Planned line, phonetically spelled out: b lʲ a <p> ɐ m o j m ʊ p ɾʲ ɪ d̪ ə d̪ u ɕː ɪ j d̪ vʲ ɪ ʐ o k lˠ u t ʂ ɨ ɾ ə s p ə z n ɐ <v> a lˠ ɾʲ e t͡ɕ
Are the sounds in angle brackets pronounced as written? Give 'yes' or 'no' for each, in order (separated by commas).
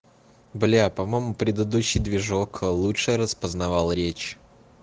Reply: yes, yes